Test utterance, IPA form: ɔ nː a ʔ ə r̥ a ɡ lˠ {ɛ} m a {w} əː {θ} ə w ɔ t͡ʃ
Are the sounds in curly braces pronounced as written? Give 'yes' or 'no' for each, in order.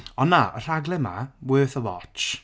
yes, yes, yes

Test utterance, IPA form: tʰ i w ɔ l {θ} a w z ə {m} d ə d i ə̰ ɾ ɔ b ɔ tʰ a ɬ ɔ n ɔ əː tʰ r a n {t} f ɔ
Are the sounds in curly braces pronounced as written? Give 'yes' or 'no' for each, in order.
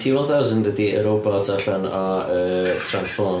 yes, no, no

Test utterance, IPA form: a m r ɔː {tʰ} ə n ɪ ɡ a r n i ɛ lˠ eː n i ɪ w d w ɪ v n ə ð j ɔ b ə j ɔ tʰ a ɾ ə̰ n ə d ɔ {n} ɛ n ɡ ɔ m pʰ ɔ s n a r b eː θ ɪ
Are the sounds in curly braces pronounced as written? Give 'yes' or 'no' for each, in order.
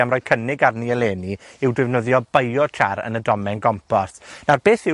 no, no

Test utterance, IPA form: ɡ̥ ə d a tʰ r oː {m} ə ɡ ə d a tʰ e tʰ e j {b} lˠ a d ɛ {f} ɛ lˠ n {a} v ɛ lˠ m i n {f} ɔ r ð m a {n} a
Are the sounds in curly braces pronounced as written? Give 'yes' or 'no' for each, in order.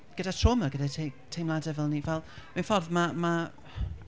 yes, no, no, no, yes, no

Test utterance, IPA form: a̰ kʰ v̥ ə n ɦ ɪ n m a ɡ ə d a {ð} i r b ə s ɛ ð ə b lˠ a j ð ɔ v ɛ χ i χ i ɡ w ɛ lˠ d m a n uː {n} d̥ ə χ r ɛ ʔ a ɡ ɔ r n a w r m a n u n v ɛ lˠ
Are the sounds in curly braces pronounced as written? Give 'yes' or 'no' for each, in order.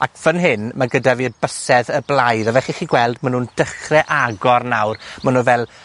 no, yes

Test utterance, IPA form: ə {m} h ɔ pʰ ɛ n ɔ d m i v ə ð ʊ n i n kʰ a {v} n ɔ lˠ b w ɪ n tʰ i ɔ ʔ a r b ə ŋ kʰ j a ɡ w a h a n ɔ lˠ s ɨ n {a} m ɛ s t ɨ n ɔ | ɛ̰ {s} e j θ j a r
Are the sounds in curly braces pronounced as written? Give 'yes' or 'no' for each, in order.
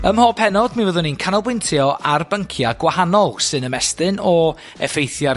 yes, no, no, no

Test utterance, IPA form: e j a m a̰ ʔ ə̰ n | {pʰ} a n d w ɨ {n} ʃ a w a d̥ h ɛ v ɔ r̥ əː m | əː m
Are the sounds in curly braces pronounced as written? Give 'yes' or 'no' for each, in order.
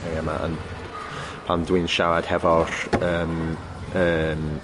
yes, yes

